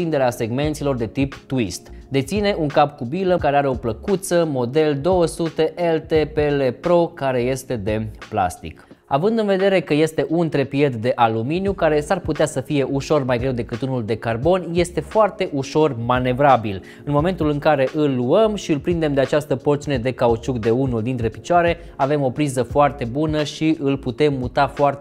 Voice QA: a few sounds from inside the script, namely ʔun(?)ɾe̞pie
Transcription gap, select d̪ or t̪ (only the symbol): t̪